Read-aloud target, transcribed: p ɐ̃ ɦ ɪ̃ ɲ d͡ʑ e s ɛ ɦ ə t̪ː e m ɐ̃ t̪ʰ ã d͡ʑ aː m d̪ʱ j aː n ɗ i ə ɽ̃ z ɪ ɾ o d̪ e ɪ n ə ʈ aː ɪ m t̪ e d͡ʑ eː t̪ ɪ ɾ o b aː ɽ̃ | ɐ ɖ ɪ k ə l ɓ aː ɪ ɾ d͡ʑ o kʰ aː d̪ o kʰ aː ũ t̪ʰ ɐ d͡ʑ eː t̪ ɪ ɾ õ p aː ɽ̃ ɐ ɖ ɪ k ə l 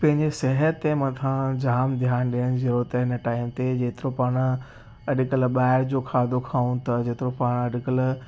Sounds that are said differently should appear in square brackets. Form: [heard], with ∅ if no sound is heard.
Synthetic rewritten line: p ɐ̃ ɦ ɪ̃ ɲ d͡ʑ e s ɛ ɦ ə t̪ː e m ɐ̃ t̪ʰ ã d͡ʑ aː m d̪ʱ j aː n ɗ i ə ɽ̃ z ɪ ɾ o [t̪] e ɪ n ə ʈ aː ɪ m t̪ e d͡ʑ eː t̪ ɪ ɾ o [p] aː ɽ̃ | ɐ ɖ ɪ k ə l ɓ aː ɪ ɾ d͡ʑ o kʰ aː d̪ o kʰ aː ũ [t̪] ɐ d͡ʑ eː t̪ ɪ ɾ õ p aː ɽ̃ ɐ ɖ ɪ k ə l

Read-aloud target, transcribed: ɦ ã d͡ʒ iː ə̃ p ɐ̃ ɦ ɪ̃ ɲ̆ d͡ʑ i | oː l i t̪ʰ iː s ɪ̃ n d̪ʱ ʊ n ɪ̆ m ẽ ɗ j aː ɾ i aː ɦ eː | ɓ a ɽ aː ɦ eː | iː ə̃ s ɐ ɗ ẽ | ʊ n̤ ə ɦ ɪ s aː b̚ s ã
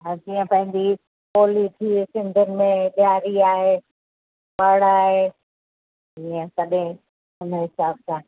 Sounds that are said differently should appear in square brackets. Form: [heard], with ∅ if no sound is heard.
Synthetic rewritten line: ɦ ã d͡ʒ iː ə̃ p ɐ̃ ɦ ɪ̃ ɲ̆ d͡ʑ i | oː l i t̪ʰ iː s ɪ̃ n d̪ʱ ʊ n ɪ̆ m ẽ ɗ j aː ɾ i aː ɦ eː | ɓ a ɽ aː ɦ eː | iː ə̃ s ɐ ɗ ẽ | ʊ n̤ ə ɦ ɪ s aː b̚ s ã

